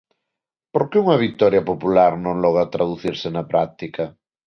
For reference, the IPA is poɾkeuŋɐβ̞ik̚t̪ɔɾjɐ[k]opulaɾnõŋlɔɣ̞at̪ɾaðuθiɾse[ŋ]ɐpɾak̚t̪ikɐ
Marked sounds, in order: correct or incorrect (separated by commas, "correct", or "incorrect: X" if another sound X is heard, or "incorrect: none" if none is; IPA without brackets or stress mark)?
incorrect: p, incorrect: n